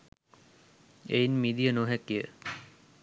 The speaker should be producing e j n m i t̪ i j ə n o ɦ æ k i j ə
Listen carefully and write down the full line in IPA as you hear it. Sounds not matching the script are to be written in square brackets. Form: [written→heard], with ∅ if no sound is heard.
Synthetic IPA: e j n m i [t̪→d̪] i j ə n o ɦ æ k i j ə